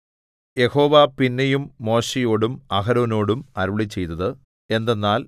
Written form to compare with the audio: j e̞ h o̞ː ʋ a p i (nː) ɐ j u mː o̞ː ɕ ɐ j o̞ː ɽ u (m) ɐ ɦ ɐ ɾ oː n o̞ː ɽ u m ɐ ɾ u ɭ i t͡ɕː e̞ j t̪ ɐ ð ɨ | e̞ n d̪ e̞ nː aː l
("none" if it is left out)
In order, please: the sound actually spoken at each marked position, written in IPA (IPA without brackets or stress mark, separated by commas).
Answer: nː, m